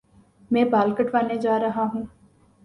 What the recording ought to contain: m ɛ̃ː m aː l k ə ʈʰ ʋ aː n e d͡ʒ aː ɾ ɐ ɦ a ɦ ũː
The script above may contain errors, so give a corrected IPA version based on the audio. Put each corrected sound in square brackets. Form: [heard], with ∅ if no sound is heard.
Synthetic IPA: m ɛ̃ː [b] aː l k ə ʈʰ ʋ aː n e d͡ʒ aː ɾ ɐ ɦ a ɦ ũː